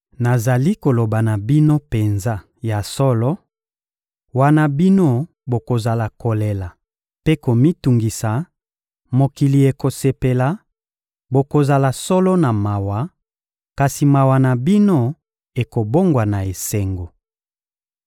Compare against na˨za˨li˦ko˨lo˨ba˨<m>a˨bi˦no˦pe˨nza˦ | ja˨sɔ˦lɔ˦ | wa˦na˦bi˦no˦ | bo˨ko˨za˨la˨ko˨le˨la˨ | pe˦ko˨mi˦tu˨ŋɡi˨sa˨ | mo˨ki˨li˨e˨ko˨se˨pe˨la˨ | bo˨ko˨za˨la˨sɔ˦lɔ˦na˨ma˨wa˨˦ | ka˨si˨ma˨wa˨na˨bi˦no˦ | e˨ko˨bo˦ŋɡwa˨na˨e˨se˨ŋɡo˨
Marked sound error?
yes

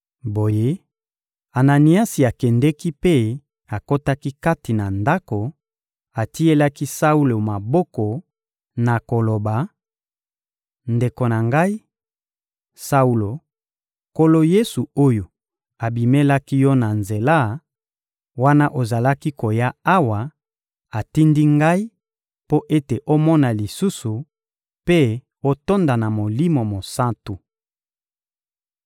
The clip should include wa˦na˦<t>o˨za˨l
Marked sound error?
yes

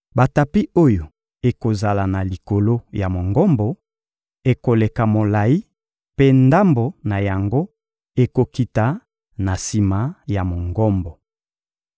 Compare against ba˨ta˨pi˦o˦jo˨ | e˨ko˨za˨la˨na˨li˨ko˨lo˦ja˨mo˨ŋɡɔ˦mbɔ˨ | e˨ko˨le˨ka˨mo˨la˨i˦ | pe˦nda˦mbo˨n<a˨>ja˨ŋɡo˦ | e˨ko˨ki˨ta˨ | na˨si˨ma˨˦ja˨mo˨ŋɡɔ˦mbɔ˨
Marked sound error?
no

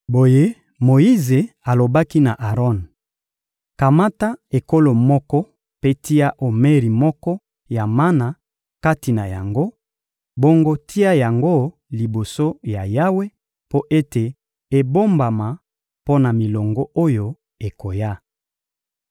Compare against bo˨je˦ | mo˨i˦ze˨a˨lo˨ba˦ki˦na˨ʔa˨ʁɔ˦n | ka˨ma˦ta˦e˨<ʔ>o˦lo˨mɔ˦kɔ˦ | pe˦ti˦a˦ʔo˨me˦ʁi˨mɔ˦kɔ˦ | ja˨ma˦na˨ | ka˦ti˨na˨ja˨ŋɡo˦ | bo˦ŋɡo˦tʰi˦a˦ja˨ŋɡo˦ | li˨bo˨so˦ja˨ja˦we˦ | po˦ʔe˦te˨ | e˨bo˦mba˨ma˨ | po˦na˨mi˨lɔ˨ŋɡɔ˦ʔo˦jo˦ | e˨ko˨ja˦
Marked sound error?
yes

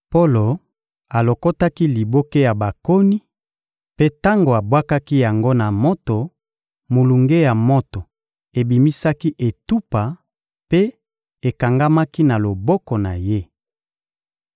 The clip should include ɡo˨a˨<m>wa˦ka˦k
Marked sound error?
yes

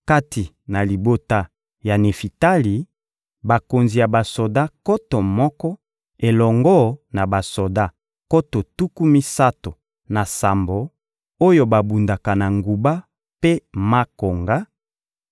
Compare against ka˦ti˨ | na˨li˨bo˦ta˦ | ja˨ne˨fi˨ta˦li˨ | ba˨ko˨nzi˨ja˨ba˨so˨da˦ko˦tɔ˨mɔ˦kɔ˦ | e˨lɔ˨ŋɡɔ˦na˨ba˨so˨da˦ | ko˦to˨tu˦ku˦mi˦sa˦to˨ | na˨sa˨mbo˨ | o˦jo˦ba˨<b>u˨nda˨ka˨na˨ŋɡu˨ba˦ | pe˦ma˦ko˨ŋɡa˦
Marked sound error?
no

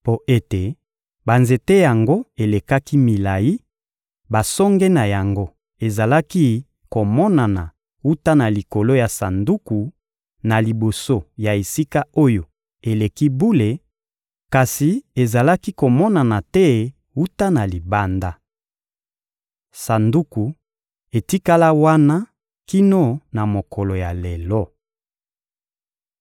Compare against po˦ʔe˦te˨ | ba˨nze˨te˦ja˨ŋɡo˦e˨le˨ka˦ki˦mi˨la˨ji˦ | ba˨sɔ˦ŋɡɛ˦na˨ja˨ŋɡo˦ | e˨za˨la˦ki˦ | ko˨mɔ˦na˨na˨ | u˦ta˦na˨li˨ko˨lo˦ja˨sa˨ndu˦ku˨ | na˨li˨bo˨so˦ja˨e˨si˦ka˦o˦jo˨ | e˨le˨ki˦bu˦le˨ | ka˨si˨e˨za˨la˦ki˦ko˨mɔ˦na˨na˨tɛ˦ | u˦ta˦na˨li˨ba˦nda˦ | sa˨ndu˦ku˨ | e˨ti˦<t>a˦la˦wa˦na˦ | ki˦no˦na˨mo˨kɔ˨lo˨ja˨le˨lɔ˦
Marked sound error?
yes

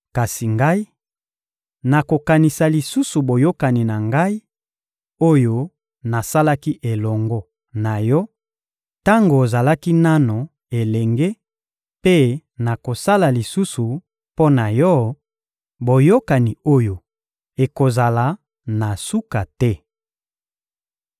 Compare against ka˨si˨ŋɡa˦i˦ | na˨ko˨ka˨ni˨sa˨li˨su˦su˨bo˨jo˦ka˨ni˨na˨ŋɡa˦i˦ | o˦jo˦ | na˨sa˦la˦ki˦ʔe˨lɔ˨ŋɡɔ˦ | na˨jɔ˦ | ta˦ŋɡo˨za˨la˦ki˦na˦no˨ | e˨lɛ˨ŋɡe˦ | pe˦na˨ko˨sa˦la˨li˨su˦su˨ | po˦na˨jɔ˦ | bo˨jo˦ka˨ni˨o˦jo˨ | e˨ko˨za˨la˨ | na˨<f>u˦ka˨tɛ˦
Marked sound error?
yes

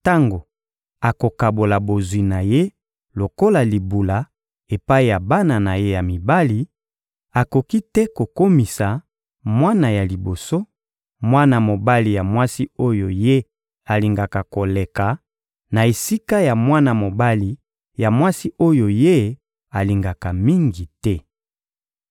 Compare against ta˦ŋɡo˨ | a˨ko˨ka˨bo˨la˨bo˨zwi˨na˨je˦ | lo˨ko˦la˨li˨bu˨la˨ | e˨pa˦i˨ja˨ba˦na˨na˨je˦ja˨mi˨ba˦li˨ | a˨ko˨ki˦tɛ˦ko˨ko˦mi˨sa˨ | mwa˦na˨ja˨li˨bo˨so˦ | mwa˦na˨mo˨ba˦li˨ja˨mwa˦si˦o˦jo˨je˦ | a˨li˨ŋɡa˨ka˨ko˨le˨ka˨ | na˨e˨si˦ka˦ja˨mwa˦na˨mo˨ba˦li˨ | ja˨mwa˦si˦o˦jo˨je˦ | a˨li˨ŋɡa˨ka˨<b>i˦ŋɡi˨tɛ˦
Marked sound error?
yes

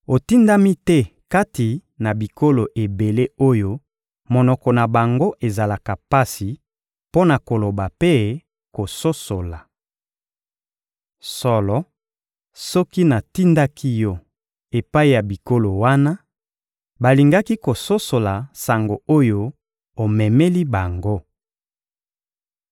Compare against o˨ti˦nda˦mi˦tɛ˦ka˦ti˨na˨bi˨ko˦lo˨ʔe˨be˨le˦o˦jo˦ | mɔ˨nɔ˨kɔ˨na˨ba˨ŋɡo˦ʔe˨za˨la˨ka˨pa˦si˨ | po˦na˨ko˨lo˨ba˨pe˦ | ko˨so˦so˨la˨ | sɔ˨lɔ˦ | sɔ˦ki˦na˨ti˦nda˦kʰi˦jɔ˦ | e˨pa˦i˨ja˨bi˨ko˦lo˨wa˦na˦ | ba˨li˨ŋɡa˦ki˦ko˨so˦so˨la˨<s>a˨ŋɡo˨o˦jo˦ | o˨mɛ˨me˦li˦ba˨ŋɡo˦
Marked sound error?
no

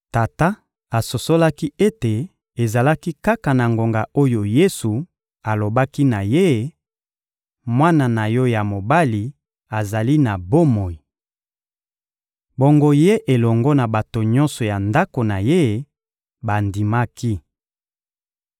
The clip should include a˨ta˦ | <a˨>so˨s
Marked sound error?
no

